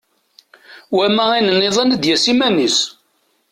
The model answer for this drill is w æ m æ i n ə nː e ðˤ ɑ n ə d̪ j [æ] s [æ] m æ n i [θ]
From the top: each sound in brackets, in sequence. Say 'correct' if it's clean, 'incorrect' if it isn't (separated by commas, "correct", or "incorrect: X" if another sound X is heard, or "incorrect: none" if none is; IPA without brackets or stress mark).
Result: correct, incorrect: i, incorrect: s